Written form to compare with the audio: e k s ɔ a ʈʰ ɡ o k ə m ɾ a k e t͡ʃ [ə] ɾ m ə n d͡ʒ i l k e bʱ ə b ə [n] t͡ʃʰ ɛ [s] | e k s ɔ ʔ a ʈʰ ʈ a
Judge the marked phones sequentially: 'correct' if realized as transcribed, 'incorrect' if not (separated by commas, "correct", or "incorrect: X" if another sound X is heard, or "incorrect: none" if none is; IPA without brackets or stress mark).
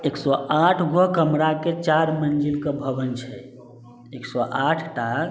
incorrect: a, correct, incorrect: none